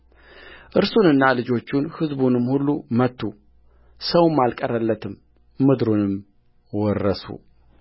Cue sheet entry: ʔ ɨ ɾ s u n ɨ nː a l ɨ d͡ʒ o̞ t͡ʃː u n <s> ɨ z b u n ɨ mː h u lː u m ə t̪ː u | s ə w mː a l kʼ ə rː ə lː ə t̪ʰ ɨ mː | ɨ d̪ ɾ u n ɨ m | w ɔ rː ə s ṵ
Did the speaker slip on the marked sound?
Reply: yes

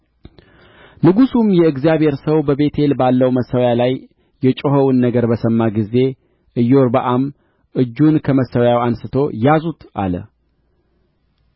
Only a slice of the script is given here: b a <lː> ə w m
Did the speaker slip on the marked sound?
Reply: no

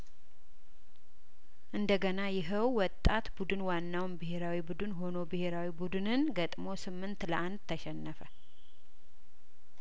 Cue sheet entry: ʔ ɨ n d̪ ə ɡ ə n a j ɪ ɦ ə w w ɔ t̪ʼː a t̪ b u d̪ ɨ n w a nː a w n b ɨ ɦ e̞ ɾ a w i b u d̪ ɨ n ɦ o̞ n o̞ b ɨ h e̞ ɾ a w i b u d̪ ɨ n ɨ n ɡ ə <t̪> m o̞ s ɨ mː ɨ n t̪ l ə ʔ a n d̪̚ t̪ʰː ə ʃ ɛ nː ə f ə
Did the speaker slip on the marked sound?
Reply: yes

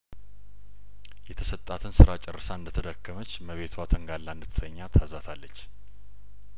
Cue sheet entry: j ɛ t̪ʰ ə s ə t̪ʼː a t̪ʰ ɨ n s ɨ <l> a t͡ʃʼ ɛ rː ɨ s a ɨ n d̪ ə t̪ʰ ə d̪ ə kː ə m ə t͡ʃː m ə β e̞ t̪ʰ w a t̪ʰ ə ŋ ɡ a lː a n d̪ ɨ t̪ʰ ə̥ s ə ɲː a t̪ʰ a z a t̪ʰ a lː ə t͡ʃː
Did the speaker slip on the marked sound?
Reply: yes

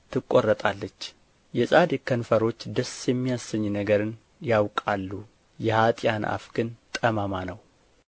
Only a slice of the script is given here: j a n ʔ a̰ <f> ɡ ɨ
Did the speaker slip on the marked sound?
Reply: no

